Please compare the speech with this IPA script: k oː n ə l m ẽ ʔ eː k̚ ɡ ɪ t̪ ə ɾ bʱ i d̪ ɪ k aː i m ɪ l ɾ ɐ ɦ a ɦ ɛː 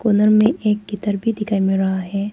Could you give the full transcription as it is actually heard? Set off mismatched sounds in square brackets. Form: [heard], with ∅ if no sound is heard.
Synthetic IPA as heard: k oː n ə [ɾ] m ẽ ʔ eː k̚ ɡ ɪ t̪ ə ɾ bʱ i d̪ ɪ k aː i m ɪ l ɾ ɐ ɦ a ɦ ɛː